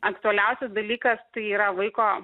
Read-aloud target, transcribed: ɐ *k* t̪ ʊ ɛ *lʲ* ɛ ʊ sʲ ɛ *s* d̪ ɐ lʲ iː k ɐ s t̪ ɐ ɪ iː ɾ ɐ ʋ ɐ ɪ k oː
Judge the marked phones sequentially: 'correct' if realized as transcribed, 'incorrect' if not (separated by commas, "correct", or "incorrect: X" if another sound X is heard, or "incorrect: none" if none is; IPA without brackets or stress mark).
correct, correct, correct